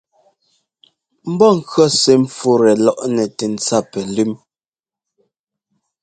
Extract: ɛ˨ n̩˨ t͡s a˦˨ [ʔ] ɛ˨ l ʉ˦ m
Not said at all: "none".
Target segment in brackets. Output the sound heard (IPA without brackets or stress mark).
p